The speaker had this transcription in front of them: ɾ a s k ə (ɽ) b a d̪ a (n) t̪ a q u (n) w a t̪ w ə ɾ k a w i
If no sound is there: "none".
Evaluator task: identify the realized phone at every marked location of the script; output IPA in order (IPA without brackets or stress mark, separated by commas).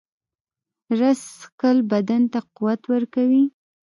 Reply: l, n, none